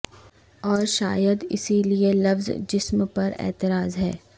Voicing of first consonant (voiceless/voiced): voiced